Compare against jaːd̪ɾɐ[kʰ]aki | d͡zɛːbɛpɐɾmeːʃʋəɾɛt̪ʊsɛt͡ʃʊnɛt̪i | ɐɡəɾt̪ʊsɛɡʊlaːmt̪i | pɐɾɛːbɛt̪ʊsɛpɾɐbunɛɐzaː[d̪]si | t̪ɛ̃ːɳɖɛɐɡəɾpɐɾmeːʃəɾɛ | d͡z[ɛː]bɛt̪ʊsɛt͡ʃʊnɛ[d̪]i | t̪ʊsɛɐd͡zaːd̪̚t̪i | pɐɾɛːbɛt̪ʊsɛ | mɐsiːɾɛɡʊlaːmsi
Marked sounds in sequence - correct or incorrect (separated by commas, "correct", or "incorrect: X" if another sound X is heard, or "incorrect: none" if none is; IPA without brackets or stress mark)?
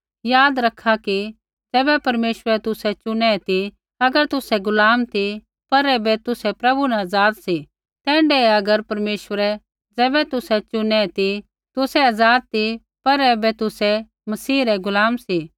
correct, correct, correct, incorrect: t̪